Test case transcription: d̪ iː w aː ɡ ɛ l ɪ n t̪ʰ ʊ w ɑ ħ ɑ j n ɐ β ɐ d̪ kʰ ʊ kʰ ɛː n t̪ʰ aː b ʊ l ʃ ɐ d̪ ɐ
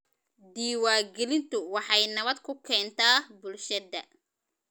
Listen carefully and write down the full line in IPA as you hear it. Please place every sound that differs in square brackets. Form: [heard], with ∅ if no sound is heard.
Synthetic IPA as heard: d̪ iː w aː ɡ ɛ l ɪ n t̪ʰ ʊ w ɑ ħ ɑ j n ɐ β ɐ d̪ kʰ ʊ kʰ ɛː n t̪ʰ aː b ʊ l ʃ ɐ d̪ ɐ